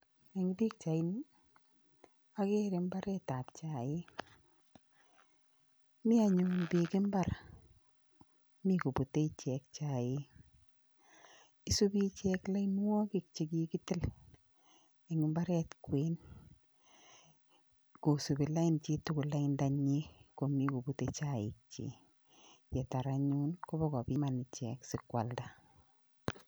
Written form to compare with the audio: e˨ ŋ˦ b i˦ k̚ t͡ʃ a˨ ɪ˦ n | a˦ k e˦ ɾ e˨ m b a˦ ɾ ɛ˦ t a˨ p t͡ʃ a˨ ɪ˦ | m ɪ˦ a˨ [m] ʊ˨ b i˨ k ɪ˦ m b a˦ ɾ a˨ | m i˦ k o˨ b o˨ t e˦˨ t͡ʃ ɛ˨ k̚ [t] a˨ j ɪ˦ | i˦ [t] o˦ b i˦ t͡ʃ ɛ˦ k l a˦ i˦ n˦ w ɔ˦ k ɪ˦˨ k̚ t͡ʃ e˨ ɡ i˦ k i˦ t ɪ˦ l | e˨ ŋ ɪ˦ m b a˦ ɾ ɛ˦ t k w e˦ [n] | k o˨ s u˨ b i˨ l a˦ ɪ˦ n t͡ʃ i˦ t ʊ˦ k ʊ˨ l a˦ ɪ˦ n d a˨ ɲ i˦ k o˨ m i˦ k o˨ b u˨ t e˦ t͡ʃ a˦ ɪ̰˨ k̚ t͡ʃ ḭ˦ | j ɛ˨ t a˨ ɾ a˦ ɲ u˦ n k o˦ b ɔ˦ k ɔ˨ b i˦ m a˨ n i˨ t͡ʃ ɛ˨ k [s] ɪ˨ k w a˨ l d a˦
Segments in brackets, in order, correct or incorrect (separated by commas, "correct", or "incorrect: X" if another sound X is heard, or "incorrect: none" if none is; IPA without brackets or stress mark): incorrect: ɲ, incorrect: t͡ʃ, incorrect: s, correct, correct